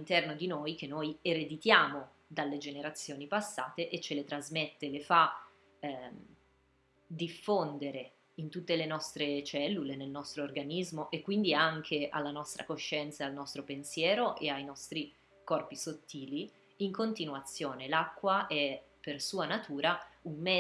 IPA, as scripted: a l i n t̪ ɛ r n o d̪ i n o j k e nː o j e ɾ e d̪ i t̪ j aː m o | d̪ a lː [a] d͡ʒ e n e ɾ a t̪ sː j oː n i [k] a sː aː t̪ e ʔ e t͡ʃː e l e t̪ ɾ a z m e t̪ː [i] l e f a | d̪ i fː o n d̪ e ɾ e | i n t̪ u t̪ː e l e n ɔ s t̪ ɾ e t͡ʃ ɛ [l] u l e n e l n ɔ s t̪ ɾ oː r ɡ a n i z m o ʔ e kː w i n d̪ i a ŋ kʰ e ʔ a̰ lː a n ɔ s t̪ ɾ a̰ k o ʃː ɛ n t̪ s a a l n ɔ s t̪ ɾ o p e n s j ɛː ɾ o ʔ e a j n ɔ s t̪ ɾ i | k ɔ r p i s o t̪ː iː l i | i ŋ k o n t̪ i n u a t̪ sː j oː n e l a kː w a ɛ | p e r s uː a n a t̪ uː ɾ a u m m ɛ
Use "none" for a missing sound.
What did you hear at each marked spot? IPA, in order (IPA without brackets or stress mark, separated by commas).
e, p, e, lː